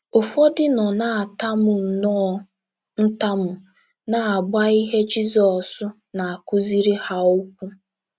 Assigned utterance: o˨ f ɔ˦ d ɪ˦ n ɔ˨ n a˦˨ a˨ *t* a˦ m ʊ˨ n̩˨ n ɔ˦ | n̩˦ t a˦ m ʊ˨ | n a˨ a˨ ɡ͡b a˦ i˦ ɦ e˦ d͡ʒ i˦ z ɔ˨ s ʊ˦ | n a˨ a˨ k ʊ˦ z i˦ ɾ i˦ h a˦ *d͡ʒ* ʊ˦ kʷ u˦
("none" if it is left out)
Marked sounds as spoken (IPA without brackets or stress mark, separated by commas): t, none